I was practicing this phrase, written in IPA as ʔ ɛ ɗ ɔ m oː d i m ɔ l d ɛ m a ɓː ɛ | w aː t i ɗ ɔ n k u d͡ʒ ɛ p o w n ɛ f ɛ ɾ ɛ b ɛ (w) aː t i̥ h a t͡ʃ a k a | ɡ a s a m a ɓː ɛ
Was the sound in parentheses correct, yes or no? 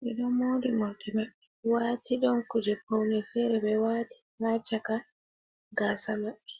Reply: yes